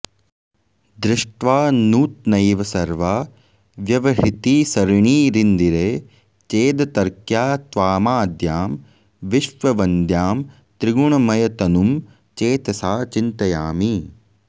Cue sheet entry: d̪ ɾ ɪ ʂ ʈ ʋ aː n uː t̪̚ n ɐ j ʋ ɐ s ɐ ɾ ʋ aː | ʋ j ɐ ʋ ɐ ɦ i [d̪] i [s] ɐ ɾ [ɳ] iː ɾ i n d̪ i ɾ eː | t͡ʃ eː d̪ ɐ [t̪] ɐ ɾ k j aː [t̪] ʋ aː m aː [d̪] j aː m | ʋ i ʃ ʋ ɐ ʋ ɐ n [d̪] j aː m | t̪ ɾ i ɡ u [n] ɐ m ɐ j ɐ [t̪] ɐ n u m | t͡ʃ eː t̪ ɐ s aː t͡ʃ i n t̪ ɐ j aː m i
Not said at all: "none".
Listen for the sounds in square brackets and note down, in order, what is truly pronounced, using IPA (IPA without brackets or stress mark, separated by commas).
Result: t̪, s, ɳ, t̪, t̪, d̪, d̪, ɳ, t̪